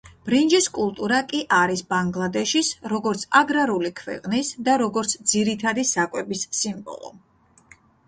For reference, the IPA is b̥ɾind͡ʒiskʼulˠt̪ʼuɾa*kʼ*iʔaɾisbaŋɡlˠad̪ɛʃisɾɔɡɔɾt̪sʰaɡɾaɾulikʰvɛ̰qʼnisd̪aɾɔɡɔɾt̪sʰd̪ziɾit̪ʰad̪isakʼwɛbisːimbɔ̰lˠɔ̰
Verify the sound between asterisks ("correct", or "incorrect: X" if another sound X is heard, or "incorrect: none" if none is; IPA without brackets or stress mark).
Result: correct